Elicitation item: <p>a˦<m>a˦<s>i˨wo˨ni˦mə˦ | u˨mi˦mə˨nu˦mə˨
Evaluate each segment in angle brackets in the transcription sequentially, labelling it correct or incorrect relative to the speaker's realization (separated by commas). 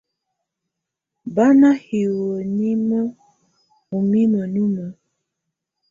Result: incorrect, incorrect, incorrect